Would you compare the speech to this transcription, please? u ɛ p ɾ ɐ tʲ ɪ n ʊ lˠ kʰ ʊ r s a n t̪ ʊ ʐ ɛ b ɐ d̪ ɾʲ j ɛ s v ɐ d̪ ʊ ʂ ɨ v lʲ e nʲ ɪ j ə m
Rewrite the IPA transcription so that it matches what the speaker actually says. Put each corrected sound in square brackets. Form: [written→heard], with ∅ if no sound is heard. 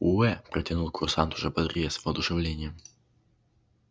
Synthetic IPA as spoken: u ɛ p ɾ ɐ tʲ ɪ n [ʊ→u] lˠ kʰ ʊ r s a n t̪ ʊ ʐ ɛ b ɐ d̪ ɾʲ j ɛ s v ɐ d̪ ʊ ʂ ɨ v lʲ e nʲ ɪ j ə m